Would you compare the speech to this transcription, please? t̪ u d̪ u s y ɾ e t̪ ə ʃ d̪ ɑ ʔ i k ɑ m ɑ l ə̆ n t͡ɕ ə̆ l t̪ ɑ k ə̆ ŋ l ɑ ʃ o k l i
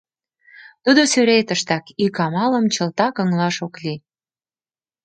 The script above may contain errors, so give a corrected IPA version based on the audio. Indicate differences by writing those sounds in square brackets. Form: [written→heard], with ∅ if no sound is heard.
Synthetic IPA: t̪ u d̪ [u→o] s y ɾ e t̪ ə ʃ [d̪→t̪] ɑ [ʔ→k] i k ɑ m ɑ l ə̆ [n→m] t͡ɕ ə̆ l t̪ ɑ k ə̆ ŋ l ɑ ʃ o k l i